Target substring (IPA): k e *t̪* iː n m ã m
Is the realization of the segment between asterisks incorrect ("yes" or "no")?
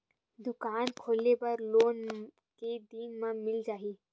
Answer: yes